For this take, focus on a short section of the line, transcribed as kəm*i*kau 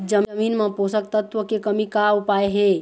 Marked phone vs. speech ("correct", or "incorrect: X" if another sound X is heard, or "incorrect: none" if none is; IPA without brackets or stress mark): correct